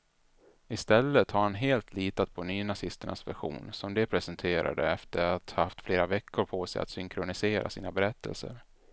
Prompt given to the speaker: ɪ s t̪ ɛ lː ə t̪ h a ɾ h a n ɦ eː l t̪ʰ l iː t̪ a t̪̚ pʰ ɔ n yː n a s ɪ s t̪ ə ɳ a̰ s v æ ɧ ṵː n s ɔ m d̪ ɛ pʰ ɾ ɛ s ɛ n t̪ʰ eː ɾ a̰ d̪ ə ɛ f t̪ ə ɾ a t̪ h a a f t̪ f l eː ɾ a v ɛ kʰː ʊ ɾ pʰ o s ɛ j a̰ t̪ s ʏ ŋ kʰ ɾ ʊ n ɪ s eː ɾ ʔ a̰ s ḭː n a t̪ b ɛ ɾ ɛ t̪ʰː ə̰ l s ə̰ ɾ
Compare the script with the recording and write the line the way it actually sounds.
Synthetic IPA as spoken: ɪ s t̪ ɛ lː ə t̪ h a ɾ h a n ɦ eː l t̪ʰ l iː t̪ a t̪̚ pʰ ɔ n yː n a s ɪ s t̪ ə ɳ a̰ s v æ ɧ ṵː n s ɔ m d̪ ɛ pʰ ɾ ɛ s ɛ n t̪ʰ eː ɾ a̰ d̪ ə ɛ f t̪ ə ɾ a t̪ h a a f t̪ f l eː ɾ a v ɛ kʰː ʊ ɾ pʰ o s ɛ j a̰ t̪ s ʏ ŋ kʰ ɾ ʊ n ɪ s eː ɾ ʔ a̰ s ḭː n a b ɛ ɾ ɛ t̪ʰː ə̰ l s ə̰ ɾ